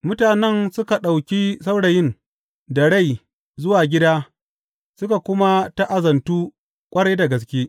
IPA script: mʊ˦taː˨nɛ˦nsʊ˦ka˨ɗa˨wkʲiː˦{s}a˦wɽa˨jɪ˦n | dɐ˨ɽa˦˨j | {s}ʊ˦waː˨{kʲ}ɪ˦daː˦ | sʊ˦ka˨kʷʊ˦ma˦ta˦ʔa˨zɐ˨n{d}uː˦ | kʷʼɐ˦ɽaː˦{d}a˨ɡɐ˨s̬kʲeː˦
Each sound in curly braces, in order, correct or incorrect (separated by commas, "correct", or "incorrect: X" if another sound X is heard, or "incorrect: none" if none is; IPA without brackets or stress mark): correct, incorrect: z, incorrect: ɡʲ, incorrect: t, correct